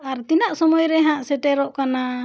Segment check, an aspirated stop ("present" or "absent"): absent